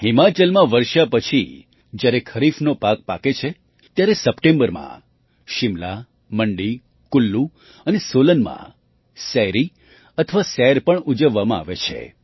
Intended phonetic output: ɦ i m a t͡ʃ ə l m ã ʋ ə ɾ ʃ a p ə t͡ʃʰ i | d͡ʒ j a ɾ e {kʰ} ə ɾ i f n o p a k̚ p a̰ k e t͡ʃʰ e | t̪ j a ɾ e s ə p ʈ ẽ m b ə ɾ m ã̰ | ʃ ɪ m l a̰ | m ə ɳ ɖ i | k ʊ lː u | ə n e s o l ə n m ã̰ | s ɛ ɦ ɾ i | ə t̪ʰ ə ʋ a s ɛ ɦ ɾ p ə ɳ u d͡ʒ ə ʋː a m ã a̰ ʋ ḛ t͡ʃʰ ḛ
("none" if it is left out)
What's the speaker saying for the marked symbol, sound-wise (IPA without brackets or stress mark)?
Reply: kʰ